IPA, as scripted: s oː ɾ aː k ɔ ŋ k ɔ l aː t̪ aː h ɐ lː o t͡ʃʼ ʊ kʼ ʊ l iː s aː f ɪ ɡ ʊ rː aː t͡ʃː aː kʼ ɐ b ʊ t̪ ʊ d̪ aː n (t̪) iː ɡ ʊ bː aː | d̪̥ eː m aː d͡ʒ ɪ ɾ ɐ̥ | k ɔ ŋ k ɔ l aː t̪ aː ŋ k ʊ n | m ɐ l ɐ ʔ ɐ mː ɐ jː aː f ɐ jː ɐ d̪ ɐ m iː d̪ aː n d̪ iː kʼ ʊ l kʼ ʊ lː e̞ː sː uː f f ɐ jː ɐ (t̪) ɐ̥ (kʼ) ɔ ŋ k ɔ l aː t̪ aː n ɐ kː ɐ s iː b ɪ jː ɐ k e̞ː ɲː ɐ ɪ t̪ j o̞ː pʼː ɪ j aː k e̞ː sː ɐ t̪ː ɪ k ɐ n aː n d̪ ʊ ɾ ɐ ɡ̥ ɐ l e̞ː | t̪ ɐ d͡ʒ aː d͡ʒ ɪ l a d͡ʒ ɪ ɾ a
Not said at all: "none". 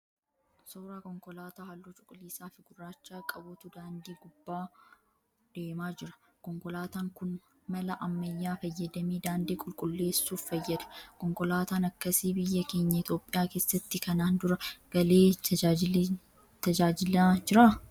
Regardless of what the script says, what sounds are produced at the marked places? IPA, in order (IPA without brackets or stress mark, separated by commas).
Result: d̪, d̪, k